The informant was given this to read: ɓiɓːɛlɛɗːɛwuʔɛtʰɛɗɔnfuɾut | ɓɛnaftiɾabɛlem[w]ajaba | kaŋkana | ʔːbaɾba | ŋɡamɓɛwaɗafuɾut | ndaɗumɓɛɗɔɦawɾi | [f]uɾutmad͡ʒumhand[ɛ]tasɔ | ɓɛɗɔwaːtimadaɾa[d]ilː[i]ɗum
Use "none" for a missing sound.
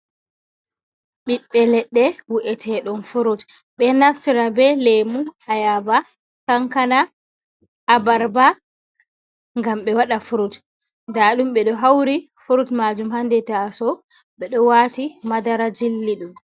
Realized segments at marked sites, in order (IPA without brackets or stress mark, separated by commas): u, f, ɛ, d͡ʒ, i